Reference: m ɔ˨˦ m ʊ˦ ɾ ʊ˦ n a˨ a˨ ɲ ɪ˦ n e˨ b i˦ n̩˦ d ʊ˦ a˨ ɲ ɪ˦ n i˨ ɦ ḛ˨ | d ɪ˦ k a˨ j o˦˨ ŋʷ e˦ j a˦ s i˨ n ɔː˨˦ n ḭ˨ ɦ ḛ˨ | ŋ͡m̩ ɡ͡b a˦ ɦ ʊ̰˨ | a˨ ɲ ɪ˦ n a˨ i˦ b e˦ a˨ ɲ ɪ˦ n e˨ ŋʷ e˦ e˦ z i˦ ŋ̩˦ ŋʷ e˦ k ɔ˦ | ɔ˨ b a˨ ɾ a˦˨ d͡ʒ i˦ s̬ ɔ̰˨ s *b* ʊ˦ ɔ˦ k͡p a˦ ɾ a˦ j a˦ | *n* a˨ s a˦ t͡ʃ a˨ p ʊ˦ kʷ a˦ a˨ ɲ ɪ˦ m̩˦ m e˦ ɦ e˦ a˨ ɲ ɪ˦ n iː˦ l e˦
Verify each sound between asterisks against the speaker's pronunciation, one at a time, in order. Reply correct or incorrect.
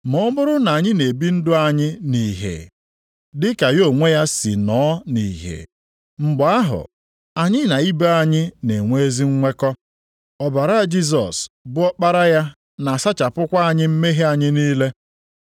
correct, correct

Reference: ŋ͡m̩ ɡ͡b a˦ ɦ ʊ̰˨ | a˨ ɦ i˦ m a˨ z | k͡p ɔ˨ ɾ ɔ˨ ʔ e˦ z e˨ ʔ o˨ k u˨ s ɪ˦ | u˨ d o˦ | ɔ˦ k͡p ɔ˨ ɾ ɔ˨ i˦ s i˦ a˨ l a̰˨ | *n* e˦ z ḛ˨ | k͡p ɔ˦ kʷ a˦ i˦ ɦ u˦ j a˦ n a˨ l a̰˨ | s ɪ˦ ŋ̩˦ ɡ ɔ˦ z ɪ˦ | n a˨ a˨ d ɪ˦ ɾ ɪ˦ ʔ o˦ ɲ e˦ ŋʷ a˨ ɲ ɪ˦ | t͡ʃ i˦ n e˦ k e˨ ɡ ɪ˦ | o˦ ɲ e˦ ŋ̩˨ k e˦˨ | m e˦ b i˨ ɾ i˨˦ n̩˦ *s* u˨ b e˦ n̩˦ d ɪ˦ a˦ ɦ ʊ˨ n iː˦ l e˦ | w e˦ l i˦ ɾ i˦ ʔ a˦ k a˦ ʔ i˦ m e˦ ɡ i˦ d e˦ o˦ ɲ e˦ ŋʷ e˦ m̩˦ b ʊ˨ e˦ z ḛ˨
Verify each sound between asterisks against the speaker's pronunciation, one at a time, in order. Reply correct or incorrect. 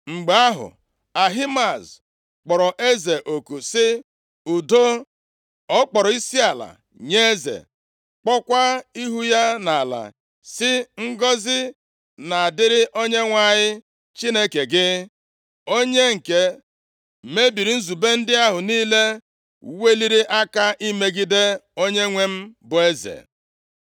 incorrect, incorrect

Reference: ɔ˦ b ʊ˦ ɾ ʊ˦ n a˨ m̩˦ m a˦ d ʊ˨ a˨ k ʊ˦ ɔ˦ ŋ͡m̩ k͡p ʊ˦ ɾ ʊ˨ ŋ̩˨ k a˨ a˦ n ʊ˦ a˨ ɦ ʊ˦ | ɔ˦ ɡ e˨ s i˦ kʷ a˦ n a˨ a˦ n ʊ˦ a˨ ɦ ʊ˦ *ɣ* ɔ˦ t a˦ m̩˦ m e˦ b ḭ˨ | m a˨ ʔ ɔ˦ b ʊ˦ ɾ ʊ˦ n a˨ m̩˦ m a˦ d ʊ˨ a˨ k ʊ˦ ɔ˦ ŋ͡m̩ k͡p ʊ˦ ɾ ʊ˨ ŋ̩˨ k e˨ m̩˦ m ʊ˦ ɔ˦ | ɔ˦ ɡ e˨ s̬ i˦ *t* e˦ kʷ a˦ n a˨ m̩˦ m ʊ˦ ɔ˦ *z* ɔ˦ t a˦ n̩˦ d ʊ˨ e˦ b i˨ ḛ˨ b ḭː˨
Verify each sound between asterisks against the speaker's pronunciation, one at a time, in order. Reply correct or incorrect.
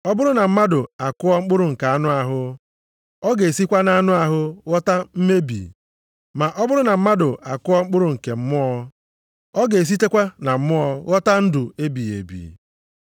correct, correct, incorrect

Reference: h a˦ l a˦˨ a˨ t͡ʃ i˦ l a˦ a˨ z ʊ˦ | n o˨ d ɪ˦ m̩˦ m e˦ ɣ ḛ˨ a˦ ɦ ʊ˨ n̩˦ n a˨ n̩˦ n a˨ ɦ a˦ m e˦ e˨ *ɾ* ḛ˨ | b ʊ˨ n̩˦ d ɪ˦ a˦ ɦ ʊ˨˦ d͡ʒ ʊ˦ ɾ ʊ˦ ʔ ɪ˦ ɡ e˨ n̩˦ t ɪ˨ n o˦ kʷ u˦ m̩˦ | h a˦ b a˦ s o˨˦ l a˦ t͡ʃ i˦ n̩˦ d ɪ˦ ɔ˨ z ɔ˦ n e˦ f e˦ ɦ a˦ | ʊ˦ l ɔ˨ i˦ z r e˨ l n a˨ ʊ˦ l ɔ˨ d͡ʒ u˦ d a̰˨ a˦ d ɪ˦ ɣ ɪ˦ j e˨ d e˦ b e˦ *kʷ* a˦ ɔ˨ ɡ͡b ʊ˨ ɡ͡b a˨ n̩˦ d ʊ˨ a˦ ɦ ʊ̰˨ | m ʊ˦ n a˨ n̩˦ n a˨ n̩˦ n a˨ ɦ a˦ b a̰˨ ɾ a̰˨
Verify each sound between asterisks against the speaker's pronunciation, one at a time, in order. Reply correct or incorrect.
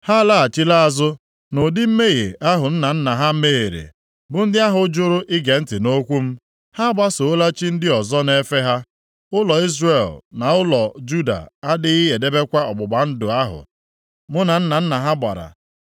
correct, correct

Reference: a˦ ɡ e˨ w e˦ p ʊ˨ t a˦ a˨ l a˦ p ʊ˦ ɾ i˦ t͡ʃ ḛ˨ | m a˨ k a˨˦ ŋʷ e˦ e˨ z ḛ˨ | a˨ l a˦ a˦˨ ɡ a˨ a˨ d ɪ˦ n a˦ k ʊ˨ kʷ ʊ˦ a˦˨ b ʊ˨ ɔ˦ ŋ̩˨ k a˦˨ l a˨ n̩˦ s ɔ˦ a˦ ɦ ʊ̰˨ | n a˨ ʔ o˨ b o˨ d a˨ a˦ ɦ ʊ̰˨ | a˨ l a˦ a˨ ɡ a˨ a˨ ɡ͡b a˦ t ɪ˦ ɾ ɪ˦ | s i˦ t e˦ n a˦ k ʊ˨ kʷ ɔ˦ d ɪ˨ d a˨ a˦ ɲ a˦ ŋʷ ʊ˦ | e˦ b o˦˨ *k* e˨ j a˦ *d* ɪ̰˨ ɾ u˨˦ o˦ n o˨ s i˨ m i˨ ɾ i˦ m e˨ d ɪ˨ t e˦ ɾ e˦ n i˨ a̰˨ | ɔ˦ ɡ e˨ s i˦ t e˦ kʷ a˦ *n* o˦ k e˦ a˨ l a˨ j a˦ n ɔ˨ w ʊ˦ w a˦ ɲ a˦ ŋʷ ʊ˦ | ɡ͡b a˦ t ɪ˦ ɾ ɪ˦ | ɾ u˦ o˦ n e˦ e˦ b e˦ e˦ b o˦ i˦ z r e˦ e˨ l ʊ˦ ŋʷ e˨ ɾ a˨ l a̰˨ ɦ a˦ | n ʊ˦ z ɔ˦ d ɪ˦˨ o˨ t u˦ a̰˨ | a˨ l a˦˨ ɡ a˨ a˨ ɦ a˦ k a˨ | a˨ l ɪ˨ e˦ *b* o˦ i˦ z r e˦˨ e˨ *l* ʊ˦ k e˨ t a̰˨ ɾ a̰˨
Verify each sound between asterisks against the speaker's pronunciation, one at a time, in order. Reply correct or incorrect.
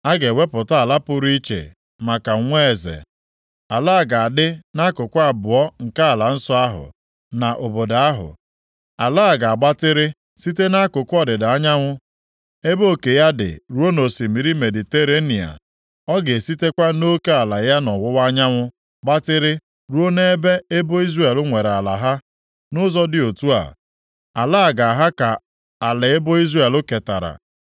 correct, correct, correct, correct, correct

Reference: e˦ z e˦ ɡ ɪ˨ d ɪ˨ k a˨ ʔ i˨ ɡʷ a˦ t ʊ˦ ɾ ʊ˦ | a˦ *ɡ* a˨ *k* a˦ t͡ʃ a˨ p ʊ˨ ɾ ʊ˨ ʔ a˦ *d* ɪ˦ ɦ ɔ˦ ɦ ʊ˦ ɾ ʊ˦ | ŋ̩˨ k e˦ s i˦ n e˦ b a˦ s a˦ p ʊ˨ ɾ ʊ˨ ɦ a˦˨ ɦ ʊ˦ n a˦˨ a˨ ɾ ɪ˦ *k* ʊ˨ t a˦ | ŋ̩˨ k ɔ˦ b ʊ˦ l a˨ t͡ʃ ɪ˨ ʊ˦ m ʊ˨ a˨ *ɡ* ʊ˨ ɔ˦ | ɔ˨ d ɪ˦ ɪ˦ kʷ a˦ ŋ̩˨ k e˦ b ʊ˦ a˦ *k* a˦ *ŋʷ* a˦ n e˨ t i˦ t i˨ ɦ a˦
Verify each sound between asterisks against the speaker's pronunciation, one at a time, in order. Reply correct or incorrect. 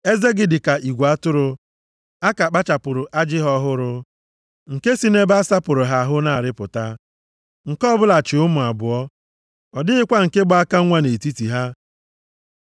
incorrect, incorrect, incorrect, incorrect, incorrect, correct, correct

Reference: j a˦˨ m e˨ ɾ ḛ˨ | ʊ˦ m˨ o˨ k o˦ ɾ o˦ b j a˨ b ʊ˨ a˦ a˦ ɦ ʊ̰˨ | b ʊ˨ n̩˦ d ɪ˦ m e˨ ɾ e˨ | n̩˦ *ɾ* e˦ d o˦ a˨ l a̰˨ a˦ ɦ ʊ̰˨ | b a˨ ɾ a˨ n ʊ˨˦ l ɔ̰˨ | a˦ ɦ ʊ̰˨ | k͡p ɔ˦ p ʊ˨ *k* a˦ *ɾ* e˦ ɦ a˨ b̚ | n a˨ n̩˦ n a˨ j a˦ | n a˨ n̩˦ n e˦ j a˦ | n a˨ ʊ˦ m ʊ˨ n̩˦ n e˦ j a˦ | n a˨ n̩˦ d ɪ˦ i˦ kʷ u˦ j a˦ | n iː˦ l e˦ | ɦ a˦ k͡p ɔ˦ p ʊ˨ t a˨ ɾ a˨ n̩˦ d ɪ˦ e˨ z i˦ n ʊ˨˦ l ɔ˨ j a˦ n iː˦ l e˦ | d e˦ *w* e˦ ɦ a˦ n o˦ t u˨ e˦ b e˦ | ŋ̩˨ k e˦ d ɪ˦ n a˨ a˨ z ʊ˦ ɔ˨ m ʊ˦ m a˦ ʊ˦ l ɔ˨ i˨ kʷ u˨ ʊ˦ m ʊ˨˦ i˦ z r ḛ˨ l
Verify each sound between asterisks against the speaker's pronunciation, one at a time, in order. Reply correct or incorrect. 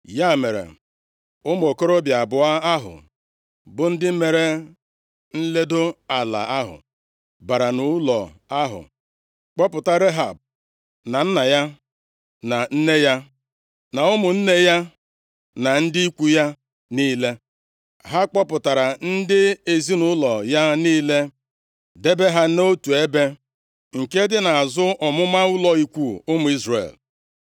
incorrect, incorrect, correct, incorrect

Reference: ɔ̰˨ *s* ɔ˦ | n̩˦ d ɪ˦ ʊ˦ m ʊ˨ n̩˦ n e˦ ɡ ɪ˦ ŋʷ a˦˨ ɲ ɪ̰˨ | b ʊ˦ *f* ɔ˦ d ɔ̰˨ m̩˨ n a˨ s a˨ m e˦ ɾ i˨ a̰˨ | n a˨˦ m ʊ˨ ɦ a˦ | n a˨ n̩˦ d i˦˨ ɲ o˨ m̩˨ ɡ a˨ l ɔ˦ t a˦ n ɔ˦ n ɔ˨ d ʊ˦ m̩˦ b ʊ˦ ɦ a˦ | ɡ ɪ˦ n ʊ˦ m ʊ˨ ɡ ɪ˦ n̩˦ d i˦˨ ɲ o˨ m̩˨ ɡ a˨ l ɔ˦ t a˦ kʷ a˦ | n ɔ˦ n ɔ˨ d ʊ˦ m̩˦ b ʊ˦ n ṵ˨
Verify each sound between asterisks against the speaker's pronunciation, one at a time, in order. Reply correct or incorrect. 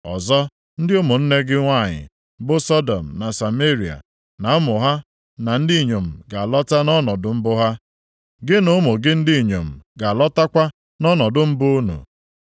incorrect, incorrect

